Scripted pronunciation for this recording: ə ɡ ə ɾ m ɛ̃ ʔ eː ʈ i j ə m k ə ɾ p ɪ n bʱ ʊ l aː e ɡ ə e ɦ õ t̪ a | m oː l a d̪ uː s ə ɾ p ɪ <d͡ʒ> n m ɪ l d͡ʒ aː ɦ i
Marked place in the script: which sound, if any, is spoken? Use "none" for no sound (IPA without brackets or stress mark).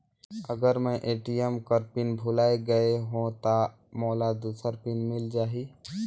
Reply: none